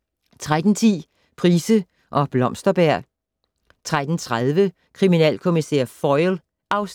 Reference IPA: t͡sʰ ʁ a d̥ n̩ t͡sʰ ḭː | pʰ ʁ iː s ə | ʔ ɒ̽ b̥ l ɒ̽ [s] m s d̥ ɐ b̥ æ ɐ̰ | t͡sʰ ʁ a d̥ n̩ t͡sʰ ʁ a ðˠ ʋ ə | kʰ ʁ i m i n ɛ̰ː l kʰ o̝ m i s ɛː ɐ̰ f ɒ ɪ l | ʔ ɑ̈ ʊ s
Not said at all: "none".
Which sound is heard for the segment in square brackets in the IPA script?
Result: none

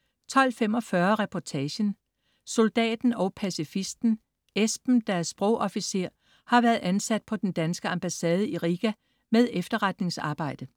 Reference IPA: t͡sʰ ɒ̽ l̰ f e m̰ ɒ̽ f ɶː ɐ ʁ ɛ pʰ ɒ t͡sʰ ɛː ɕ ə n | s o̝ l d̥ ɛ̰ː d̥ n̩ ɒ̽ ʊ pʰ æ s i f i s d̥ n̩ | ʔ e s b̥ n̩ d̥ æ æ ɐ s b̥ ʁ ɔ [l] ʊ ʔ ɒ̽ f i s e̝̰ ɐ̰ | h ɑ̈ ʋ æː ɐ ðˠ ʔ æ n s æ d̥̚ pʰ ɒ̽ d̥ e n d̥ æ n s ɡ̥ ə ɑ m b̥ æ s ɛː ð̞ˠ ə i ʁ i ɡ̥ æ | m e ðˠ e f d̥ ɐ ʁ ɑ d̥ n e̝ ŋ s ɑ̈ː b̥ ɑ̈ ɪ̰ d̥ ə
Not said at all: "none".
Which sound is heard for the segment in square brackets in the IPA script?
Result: none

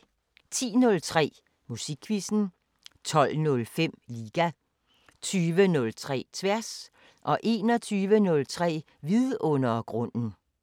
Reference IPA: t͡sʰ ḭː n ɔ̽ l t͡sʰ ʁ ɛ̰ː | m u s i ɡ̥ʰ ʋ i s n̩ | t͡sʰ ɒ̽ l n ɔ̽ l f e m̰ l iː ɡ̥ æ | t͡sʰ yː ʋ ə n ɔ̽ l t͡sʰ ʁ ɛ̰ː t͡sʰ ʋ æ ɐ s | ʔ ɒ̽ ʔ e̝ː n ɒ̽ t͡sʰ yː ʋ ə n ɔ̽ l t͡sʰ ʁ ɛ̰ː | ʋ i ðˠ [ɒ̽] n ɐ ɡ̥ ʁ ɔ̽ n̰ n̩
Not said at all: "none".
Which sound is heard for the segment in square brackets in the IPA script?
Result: ɔ̽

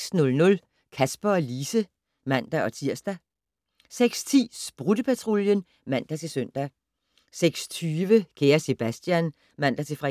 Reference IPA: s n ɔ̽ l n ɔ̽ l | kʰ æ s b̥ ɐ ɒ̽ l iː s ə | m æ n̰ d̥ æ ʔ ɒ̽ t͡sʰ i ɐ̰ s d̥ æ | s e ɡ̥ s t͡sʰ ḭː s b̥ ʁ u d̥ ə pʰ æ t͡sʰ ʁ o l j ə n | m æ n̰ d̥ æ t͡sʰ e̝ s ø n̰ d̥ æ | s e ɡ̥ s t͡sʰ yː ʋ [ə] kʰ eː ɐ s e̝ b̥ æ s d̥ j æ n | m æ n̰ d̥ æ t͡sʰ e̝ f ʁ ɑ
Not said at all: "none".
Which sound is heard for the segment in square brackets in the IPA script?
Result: ə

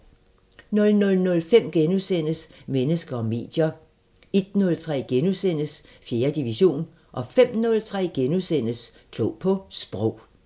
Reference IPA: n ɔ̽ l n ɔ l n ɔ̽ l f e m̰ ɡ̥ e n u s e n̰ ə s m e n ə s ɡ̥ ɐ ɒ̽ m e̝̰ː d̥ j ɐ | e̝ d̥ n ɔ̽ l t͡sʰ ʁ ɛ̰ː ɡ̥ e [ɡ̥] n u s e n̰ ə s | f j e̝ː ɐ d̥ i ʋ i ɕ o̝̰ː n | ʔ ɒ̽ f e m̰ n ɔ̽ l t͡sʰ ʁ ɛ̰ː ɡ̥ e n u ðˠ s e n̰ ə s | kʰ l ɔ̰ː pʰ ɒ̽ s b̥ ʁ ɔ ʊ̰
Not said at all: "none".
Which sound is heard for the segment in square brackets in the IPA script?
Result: none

